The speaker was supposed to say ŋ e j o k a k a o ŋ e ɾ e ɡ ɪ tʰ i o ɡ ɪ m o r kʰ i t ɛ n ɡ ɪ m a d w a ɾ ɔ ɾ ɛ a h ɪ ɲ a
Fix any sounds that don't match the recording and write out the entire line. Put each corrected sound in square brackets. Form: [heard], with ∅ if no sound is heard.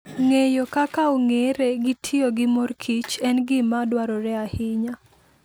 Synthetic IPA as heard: ŋ e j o k a k a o ŋ e ɾ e ɡ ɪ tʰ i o ɡ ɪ m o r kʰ i [t͡ʃ] ɛ n ɡ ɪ m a d w a ɾ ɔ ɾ ɛ a h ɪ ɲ a

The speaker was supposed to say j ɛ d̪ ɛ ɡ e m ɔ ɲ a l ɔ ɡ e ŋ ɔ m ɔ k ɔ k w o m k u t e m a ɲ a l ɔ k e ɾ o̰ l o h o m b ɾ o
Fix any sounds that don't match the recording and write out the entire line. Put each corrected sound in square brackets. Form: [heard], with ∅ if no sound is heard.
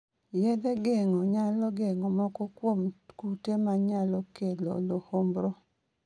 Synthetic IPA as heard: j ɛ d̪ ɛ ɡ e [ŋ] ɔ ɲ a l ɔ ɡ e ŋ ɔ m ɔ k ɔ k w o m k u t e m a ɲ a l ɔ k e [l] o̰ l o h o m b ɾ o

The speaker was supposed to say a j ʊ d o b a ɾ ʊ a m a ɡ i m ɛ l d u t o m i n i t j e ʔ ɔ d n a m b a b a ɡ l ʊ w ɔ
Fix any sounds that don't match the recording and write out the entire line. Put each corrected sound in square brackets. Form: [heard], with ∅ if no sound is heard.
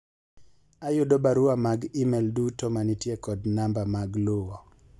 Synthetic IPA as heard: a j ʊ d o b a ɾ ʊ a m a ɡ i m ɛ l d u t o m [a] n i t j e [k] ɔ d n a m b a [m] a ɡ l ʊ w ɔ

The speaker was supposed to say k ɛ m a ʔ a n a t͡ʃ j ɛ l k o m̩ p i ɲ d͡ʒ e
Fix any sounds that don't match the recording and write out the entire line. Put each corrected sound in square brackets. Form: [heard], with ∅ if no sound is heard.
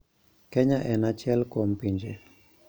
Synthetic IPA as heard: k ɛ [ɲ] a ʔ [ɛ] n a t͡ʃ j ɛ l k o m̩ p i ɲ d͡ʒ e

